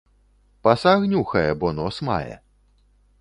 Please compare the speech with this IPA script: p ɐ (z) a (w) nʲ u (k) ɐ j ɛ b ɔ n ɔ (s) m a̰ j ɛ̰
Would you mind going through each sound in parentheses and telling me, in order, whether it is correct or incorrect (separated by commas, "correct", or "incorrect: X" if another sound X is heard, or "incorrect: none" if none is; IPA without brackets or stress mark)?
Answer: incorrect: s, incorrect: ɣ, incorrect: x, correct